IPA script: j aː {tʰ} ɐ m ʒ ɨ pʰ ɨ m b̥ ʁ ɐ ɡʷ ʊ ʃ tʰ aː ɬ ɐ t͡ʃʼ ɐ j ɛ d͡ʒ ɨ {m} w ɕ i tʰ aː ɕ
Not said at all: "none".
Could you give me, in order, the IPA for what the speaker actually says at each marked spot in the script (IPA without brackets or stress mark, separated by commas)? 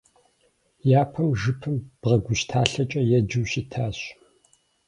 pʰ, none